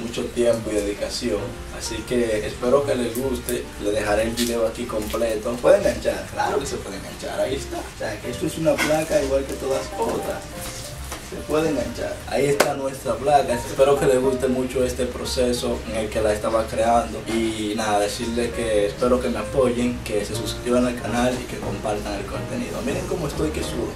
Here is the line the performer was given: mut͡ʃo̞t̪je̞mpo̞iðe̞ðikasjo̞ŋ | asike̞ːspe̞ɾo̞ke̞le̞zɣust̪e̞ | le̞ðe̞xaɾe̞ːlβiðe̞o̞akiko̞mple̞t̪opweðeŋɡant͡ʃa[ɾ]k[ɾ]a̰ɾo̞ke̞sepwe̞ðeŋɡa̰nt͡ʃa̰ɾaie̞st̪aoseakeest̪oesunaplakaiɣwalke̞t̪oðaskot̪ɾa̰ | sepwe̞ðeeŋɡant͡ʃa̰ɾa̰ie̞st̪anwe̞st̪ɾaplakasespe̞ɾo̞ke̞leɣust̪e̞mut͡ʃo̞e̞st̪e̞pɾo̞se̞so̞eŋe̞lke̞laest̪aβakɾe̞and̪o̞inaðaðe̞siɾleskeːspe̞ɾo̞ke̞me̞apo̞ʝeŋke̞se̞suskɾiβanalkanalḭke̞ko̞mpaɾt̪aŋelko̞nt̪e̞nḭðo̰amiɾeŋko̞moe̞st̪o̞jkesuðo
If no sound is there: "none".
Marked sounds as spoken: ɾ, l

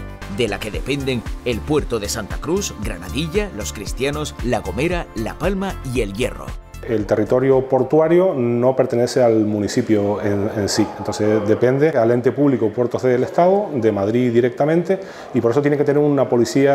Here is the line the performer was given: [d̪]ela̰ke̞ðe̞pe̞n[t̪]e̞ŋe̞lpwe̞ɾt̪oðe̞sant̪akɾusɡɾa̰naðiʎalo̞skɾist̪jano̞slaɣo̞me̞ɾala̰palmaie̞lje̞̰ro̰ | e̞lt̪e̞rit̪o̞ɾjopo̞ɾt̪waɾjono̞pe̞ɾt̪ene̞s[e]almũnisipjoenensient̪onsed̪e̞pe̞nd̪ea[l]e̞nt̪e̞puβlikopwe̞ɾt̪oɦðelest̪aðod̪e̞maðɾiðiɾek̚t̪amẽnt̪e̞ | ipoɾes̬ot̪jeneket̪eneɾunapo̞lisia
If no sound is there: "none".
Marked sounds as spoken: d̪, d̪, e, l

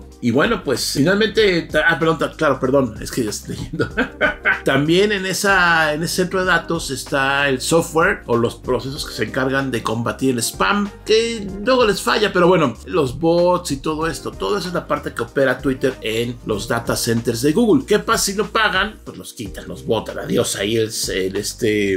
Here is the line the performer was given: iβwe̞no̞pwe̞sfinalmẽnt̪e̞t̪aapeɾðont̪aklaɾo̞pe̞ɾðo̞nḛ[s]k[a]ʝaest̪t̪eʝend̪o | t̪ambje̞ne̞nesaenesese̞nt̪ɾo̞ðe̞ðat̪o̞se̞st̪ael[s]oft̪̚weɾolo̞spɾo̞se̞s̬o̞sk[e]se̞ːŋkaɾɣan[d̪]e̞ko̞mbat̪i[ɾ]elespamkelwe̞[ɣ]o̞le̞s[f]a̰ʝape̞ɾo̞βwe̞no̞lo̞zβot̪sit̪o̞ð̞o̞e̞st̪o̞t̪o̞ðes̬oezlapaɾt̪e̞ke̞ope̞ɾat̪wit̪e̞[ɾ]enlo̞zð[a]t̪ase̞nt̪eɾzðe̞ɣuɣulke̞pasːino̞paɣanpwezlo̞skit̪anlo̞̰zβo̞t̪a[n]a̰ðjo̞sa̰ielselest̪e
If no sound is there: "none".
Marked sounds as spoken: s, e, s, e, d̪, ɾ, ɣ, f, ɾ, a, n

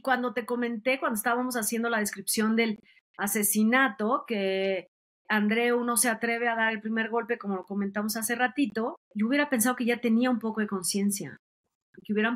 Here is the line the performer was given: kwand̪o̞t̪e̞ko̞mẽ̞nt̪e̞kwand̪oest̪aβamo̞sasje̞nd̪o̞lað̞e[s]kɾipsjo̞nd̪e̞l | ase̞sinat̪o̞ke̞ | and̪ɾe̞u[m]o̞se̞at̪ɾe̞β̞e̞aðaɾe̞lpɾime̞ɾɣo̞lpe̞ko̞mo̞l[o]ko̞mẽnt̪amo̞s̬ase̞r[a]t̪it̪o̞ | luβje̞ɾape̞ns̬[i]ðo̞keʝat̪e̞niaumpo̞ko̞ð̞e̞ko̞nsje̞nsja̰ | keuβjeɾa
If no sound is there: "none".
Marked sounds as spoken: s, n, o, a, a

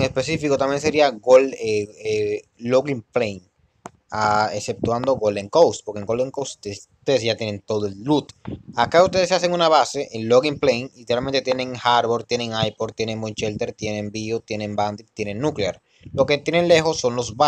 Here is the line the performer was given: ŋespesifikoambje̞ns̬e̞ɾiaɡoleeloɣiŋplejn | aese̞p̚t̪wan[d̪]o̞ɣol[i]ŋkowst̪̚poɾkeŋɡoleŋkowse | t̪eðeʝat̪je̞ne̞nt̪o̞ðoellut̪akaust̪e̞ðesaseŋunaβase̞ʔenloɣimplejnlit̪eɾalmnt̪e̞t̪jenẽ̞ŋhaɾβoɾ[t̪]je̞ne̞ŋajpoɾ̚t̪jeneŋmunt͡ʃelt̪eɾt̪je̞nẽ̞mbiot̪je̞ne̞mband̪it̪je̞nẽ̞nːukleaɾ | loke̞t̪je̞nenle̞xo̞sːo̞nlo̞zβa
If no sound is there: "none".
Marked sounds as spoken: d̪, e, t̪

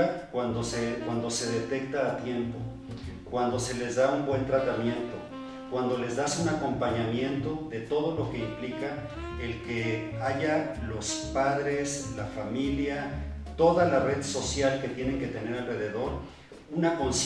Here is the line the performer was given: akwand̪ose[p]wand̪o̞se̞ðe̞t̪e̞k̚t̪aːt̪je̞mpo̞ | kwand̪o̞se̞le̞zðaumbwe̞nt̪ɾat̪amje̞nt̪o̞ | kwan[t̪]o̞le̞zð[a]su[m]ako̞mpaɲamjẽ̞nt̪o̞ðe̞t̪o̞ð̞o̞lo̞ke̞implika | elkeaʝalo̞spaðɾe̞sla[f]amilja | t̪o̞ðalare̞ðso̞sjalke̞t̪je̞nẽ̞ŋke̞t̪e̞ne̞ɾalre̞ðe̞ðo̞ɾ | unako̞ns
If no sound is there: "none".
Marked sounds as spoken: k, d̪, a, n, f

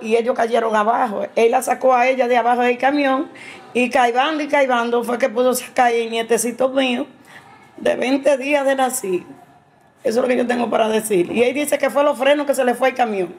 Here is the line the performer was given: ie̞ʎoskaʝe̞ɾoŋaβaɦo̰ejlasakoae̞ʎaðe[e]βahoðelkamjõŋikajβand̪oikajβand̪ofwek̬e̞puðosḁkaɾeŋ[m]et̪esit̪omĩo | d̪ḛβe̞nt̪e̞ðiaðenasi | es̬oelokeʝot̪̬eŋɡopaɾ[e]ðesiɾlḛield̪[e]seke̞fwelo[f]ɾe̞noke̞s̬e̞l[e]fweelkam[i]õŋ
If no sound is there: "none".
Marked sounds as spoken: a, ɲ, a, i, f, e, j

